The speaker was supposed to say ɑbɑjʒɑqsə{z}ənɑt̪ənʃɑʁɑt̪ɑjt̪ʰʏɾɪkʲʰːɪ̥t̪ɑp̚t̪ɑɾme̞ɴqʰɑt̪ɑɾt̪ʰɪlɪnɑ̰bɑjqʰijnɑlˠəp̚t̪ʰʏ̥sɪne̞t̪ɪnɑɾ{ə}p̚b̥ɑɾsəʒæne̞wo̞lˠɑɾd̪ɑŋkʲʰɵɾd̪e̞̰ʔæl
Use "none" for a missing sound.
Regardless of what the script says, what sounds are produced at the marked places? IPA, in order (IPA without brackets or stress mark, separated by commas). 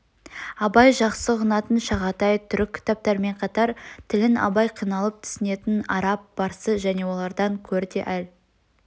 ʁ, ɑ